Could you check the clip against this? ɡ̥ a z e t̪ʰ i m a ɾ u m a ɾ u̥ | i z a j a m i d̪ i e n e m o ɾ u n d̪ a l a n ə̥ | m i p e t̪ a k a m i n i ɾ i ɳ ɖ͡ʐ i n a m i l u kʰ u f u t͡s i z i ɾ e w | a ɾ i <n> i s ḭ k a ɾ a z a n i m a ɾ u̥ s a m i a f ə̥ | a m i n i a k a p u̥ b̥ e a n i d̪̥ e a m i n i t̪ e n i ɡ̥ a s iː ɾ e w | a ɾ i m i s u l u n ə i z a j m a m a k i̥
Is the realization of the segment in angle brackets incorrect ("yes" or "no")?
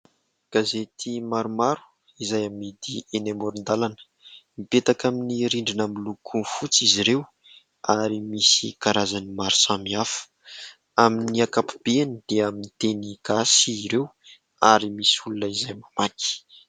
yes